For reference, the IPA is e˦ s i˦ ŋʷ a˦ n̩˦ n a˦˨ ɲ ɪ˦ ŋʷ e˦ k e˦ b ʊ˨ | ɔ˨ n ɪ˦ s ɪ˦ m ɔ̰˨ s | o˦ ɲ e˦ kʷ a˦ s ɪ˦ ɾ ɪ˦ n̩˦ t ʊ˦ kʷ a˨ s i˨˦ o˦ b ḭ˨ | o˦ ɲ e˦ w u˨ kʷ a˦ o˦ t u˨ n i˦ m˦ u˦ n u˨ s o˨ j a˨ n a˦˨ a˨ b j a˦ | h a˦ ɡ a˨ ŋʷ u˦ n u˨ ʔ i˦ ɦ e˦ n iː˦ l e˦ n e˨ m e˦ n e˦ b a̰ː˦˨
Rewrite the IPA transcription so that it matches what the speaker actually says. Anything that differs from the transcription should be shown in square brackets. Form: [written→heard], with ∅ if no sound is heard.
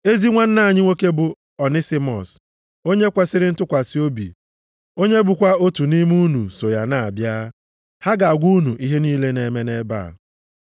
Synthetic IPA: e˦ [s→z] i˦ ŋʷ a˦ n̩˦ n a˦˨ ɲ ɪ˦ ŋʷ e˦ k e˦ b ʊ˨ | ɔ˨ n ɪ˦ s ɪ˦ m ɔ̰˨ s | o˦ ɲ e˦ kʷ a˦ s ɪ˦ ɾ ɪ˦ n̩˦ t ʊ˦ kʷ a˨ s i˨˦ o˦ b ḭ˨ | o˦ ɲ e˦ [w→b] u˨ kʷ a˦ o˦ t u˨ n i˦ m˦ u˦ n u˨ s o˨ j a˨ n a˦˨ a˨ b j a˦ | h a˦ ɡ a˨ [ŋʷ→ɡʷ] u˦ n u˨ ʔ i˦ ɦ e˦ n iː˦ l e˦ n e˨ m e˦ n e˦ b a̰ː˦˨